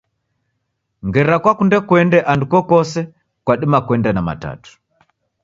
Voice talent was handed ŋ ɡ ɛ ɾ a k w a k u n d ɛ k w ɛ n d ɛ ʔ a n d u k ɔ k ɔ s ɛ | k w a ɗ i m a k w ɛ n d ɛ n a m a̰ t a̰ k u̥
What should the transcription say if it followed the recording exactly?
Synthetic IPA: ŋ ɡ ɛ ɾ a k w a k u n d ɛ k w ɛ n d ɛ ʔ a n d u k ɔ k ɔ s ɛ | k w a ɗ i m a k w ɛ n d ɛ n a m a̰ t a̰ t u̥